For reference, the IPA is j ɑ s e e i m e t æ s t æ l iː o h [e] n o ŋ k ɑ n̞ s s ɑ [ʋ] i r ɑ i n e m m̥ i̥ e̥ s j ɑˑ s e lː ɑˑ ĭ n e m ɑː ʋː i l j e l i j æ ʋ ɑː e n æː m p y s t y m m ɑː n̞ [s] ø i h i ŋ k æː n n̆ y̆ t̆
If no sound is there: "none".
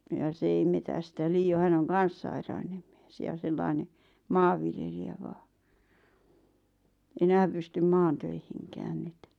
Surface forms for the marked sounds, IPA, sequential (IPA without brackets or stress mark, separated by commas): æ, none, t